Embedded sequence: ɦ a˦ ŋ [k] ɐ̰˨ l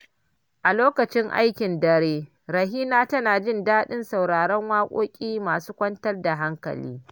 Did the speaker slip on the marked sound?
no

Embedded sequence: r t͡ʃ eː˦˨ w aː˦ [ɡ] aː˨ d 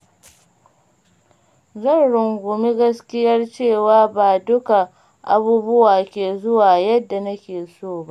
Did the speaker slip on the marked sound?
yes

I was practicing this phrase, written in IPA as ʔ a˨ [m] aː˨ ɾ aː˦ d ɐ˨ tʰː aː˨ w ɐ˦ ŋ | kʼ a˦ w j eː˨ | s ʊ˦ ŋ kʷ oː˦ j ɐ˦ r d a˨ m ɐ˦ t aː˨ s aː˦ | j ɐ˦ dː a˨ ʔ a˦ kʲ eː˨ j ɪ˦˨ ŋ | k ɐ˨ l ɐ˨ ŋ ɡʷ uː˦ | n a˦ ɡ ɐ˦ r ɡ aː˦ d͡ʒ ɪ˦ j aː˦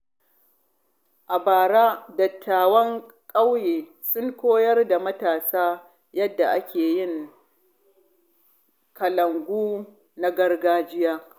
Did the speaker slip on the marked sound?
yes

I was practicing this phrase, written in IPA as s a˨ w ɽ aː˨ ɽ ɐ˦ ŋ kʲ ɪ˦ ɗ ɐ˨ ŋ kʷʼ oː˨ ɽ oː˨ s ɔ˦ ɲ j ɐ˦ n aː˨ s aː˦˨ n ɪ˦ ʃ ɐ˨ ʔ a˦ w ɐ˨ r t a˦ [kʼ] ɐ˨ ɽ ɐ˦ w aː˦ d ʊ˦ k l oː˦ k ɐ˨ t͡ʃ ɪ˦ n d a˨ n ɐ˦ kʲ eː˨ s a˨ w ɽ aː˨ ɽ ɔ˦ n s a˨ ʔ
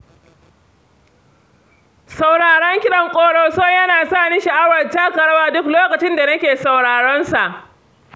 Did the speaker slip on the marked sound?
yes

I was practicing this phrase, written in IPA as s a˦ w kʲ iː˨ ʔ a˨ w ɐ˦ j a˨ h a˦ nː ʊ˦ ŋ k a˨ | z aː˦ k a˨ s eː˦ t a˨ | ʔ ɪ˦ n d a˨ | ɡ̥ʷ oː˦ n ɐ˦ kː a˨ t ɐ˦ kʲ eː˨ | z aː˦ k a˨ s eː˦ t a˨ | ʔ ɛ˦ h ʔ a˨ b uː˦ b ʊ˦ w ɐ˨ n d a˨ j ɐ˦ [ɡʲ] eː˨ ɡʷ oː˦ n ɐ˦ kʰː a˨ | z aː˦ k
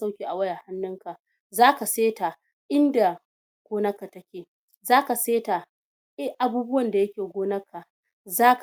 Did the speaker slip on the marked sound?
yes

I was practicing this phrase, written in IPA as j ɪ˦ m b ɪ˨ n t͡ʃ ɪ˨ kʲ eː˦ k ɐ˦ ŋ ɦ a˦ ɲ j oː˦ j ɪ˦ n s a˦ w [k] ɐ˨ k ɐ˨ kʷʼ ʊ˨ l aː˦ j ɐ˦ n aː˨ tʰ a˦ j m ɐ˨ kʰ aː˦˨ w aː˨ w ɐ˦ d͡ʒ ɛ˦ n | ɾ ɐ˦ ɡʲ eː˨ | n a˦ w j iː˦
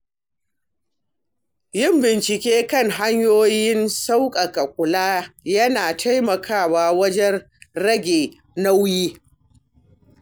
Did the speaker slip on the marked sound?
yes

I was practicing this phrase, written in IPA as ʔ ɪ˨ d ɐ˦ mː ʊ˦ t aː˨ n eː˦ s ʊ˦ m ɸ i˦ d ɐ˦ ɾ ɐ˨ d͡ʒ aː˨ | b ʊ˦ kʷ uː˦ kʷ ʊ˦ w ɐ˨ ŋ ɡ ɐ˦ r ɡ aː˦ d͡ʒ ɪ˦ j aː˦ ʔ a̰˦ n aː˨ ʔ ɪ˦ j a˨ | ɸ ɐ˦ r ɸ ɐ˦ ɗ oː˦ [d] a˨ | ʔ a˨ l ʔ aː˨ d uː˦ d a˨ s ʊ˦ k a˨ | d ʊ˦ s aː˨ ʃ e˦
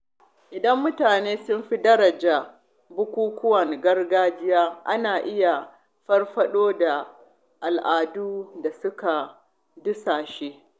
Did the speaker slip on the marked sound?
no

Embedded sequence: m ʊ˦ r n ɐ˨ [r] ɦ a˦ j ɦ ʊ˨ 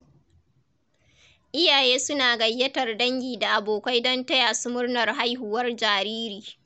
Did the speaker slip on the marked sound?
no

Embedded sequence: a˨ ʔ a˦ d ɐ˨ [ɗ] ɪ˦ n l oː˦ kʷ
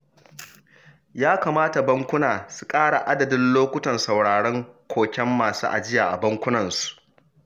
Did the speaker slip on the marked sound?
yes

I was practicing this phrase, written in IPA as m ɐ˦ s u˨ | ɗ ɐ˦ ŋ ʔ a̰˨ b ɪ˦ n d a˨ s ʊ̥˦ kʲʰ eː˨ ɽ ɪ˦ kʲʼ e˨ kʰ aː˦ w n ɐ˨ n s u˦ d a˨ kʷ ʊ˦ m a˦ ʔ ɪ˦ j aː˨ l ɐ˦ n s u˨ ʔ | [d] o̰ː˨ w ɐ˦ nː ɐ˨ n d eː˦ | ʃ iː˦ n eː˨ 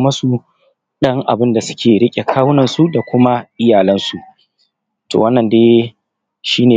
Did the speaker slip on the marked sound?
yes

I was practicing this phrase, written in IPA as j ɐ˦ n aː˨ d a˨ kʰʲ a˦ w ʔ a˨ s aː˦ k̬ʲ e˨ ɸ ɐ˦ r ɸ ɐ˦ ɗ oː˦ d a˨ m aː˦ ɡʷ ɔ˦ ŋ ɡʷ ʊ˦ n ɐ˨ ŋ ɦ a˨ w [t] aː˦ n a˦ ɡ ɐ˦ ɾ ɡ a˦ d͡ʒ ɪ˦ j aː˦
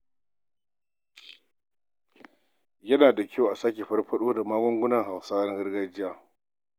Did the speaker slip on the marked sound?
yes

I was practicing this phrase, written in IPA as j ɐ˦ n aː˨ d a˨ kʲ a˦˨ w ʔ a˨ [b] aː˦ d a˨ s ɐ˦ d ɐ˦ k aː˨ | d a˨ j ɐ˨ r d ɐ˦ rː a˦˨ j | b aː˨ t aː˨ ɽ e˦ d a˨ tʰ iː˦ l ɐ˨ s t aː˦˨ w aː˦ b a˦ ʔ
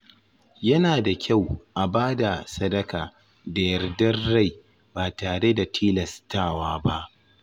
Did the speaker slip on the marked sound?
no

